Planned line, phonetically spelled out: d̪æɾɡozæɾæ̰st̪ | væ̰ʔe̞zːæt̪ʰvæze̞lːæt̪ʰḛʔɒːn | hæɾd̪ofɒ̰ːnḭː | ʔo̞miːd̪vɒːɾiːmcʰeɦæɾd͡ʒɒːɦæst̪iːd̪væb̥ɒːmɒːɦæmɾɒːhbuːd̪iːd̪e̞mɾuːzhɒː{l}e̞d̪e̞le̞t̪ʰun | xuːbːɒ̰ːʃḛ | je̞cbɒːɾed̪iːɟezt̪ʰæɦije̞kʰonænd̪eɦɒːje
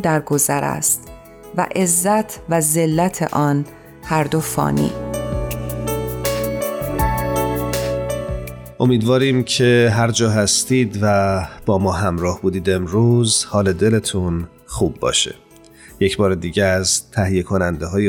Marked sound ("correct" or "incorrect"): correct